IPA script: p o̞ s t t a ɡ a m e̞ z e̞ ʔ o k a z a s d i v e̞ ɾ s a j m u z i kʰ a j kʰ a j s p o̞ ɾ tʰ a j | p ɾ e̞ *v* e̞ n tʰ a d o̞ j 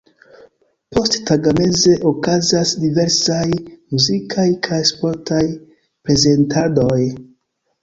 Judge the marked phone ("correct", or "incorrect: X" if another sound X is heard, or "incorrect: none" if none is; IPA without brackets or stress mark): incorrect: z